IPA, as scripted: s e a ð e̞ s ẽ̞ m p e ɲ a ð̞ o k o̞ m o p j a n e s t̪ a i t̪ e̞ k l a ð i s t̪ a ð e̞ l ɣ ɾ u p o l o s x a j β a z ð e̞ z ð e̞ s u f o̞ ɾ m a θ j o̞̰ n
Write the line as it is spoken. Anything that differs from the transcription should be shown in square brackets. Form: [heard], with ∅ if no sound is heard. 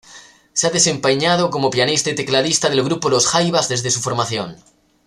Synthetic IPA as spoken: s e a ð e̞ s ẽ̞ m p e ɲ a ð̞ o k o̞ m o p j a n [i] s t̪ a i t̪ e̞ k l a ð i s t̪ a ð e̞ l ɣ ɾ u p o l o s x a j β a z ð e̞ z ð e̞ s u f o̞ ɾ m a θ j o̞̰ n

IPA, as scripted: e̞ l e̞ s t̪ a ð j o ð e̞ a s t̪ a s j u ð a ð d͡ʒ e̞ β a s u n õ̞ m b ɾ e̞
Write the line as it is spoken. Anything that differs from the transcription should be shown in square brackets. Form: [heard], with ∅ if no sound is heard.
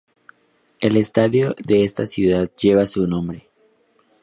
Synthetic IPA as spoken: e̞ l e̞ s t̪ a ð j o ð e̞ [e] s t̪ a s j u ð a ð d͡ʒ e̞ β a s u n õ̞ m b ɾ e̞

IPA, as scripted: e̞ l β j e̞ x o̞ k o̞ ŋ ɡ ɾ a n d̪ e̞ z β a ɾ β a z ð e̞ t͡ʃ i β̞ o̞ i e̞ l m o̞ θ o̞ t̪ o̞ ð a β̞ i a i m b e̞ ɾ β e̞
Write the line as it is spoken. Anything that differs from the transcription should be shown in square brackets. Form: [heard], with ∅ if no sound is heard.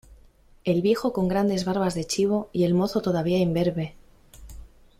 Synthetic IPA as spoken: e̞ l β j e̞ x o̞ k o̞ ŋ ɡ ɾ a n d̪ e̞ z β a ɾ β a z ð e̞ t͡ʃ i β̞ o̞ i e̞ l m o̞ θ o̞ t̪ o̞ ð a β̞ i a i m b e̞ ɾ β e̞

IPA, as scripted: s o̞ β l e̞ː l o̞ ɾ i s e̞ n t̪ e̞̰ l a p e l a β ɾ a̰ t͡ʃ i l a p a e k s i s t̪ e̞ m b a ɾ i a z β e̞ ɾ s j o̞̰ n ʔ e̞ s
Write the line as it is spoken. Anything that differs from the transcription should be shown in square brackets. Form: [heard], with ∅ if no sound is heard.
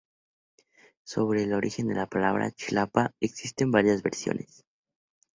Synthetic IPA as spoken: s o̞ β [ɾ] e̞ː l o̞ ɾ i [x] e̞ n [d̪] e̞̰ l a p [a] l a β ɾ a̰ t͡ʃ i l a p a e k s i s t̪ e̞ m b a ɾ [j] a z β e̞ ɾ s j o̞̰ n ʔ e̞ s

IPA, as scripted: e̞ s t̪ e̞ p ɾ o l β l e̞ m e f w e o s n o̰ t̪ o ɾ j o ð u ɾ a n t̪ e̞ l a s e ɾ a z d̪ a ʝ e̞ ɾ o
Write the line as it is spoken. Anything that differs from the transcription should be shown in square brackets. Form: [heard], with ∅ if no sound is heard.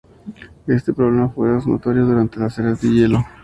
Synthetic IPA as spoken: e̞ s t̪ e̞ p ɾ o [∅] β l e̞ m [a] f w e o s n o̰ t̪ o ɾ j o ð u ɾ a n t̪ e̞ l a s e ɾ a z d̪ [e] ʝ e̞ [l] o

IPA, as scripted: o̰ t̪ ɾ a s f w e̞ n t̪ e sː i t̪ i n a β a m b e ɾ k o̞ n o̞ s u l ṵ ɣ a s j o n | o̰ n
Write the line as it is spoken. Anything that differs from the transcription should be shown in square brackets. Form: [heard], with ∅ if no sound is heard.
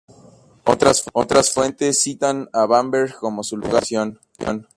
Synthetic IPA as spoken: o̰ t̪ ɾ a s f w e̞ n t̪ e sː i t̪ [a] n a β a m b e ɾ k o̞ [m] o̞ s u l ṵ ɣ a s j o n | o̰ n

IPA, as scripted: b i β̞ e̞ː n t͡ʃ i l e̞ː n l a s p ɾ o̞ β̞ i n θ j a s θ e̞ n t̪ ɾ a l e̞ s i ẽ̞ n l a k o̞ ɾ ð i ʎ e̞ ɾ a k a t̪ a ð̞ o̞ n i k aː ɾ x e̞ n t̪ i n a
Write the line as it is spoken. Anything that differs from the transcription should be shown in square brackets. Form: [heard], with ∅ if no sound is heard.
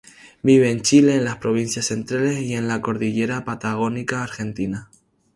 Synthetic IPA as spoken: b i β̞ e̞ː n t͡ʃ i l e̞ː n l a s p ɾ o̞ β̞ i n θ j a s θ e̞ n t̪ ɾ a l e̞ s i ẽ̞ n l a k o̞ ɾ ð i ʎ e̞ ɾ a [p] a t̪ a [ɣ̞] o̞ n i k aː ɾ x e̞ n t̪ i n a

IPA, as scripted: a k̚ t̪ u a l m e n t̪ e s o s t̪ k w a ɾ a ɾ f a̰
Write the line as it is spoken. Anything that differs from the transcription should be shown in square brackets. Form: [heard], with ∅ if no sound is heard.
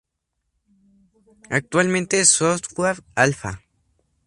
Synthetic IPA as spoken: a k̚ t̪ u a l m e n t̪ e s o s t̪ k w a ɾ a [l] f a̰

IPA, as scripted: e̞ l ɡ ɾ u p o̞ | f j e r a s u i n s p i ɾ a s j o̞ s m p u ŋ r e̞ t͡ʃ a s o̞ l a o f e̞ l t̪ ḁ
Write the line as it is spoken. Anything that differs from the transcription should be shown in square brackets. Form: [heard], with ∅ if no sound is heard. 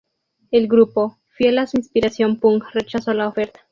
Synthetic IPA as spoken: e̞ l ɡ ɾ u p o̞ | f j e [l] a s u i n s p i ɾ a s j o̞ [∅] m p u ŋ r e̞ t͡ʃ a s o̞ l a o f e̞ [ɾ] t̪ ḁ

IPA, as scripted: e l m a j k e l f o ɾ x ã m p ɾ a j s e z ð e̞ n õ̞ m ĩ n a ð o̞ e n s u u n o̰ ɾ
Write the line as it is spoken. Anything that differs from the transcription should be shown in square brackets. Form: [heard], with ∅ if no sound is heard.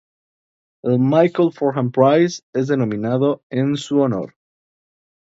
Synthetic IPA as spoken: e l m a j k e l f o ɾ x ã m p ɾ a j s e z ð e̞ n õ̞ m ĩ n a ð o̞ e n s u [o] n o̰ ɾ

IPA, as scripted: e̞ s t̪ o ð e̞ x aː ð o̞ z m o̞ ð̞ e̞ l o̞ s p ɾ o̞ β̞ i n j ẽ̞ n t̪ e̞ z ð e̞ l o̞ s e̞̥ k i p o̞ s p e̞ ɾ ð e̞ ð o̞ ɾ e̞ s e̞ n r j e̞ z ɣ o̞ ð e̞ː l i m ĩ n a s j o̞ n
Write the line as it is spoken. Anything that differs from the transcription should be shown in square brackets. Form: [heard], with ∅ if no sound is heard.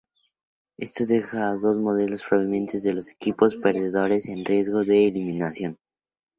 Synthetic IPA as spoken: e̞ s t̪ o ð e̞ x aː ð o̞ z m o̞ ð̞ e̞ l o̞ s p ɾ o̞ β̞ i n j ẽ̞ n t̪ e̞ z ð e̞ l o̞ s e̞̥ k i p o̞ s p e̞ ɾ ð e̞ ð o̞ ɾ e̞ s e̞ n r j e̞ z ɣ o̞ ð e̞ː l i m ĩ n a s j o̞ n

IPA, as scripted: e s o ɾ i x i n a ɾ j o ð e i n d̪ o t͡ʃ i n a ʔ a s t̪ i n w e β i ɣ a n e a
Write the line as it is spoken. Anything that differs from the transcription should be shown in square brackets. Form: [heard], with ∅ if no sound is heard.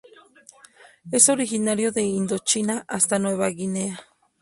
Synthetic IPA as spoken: e s o ɾ i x i n a ɾ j o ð e i n d̪ o t͡ʃ i n a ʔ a s t̪ [a] n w e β [a] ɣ [i] n e a

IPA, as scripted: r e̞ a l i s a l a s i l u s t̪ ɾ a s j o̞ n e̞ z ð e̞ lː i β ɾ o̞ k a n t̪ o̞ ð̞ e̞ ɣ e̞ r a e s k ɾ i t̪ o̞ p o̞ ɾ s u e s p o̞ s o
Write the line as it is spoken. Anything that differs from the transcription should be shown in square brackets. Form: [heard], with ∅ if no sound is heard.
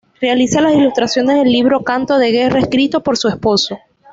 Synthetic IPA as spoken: r e̞ a l i s a l a s i l u s t̪ ɾ a s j o̞ n e̞ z ð e̞ lː i β ɾ o̞ k a n t̪ o̞ ð̞ e̞ ɣ e̞ r a e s k ɾ i t̪ o̞ p o̞ ɾ s u e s p o̞ s o

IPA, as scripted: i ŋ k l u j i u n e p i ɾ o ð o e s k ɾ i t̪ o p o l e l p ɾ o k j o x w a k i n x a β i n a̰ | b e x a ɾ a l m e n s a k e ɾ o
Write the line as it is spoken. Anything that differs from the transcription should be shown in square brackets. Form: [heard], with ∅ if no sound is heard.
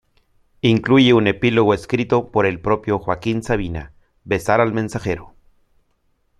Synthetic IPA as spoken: i ŋ k l u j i u n e p i [l] o [ɣ] o e s k ɾ i t̪ o p o [ɾ] e l p ɾ o [p] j o x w a k i n [s] a β i n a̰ | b e [s] a ɾ a l m e n s a [x] e ɾ o

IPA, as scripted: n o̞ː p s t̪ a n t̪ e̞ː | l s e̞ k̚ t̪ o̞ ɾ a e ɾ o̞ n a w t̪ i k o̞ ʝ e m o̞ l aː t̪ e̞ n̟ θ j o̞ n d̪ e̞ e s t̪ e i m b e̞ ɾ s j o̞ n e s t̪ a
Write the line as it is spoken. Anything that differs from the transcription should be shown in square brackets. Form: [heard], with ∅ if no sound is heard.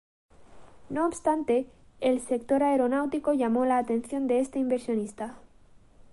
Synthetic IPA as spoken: n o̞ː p s t̪ a n t̪ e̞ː | l s e̞ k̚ t̪ o̞ ɾ a e ɾ o̞ n a w t̪ i k o̞ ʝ [a] m o̞ l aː t̪ e̞ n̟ θ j o̞ n d̪ e̞ e s t̪ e i m b e̞ ɾ s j o̞ n [i] s t̪ a

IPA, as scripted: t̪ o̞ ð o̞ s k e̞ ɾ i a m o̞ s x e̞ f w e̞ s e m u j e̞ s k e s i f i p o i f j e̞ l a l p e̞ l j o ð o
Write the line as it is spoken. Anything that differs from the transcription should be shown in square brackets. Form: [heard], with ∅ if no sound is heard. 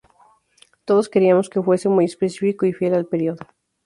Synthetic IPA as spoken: t̪ o̞ ð o̞ s k e̞ ɾ i a m o̞ s [k] e̞ f w e̞ s e m u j e̞ s [p] e s i f i [k] o i f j e̞ l a l p e̞ [ɾ] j o ð o

